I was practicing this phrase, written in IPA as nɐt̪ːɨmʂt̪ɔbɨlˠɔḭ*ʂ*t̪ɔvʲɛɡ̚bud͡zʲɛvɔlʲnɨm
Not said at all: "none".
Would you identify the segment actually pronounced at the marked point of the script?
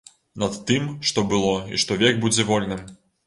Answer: ʂ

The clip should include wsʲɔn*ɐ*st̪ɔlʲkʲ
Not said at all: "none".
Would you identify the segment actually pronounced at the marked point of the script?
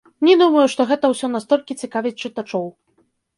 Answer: a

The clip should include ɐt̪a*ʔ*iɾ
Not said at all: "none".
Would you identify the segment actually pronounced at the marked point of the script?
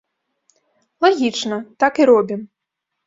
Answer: k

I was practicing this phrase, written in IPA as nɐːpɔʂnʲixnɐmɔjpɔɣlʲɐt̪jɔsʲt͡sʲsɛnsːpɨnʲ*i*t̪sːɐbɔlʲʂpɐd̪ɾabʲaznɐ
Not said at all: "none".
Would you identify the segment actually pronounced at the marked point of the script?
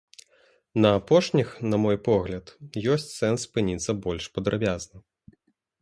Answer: i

